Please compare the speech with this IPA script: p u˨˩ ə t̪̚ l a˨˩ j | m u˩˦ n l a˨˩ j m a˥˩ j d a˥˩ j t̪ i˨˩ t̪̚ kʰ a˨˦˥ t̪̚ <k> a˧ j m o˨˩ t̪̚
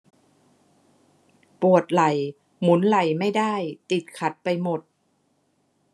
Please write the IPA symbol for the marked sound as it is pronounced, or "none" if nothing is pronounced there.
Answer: p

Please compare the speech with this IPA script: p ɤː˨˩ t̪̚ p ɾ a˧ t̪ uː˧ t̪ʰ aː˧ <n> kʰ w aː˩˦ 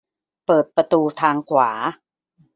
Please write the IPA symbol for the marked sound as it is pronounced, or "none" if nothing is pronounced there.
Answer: ŋ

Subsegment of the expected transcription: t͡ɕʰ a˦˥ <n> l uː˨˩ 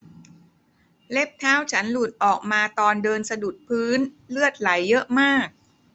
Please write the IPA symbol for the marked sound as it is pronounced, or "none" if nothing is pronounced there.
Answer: n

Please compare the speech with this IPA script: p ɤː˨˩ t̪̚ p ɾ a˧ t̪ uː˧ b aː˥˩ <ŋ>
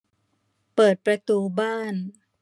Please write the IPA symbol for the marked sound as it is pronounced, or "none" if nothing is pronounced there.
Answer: n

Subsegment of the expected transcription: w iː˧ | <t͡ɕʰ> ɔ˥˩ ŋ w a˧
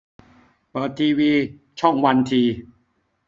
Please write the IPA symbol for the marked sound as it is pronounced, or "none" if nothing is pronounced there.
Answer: t͡ɕʰ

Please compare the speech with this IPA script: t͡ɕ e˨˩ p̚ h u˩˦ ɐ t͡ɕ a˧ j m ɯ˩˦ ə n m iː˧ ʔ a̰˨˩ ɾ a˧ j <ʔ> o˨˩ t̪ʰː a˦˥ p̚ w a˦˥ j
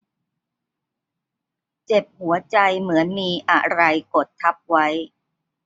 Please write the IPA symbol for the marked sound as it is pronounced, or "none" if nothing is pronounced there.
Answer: k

